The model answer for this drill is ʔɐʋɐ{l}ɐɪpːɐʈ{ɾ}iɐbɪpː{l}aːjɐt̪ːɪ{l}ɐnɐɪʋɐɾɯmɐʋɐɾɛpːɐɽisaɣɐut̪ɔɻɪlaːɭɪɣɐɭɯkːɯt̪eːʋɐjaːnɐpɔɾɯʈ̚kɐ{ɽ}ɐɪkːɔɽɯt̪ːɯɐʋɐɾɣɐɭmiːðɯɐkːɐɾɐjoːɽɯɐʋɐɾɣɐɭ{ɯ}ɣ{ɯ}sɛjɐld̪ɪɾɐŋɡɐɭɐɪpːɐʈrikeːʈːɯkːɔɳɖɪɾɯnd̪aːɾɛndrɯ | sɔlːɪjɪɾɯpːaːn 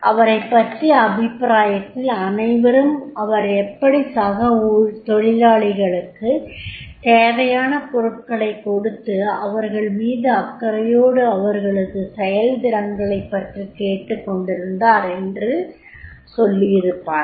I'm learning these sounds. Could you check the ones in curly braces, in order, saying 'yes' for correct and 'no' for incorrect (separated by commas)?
no, no, no, yes, no, yes, yes